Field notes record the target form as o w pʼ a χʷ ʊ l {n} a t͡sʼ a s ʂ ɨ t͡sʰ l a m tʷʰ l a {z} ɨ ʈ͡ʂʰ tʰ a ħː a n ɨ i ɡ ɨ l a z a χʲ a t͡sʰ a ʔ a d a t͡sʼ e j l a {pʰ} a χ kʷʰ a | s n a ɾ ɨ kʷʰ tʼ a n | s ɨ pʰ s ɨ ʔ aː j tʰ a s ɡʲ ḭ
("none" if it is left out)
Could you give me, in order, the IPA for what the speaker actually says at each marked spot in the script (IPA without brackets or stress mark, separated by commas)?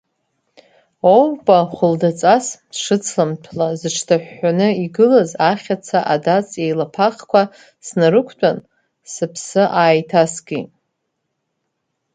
d, z, pʰ